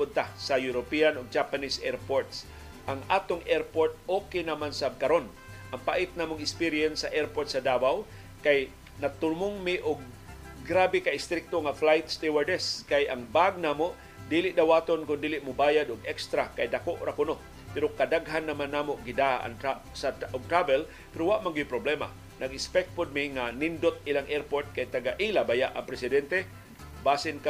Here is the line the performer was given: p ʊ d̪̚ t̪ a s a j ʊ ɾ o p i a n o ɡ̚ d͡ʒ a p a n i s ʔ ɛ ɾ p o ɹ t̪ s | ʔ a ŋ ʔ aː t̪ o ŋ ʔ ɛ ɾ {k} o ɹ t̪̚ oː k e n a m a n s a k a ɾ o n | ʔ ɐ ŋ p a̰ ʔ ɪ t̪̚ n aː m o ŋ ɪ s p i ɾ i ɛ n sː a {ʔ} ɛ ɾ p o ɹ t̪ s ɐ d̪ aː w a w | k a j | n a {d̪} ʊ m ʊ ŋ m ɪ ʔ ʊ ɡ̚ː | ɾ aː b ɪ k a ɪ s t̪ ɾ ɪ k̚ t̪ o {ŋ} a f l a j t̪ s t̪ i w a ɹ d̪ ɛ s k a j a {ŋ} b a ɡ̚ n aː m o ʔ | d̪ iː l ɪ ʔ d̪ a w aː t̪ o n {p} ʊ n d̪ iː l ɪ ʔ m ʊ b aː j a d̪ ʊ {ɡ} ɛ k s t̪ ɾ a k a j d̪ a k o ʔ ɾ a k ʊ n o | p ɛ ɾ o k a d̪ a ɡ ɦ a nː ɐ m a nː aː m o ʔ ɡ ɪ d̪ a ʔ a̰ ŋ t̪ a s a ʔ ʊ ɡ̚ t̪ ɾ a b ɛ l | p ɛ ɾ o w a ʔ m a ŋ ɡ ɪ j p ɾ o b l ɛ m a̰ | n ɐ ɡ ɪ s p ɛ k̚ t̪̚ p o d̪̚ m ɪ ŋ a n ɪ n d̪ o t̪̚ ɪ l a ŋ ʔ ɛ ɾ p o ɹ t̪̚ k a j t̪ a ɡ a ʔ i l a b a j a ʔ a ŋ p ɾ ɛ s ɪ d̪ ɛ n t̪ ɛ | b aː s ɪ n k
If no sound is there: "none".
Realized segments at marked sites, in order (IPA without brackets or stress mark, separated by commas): p, ʔ, t̪, ŋ, ŋ, k, ɡ